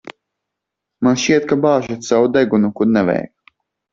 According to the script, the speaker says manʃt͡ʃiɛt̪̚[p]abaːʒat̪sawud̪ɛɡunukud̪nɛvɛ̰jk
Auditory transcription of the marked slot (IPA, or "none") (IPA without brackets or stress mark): k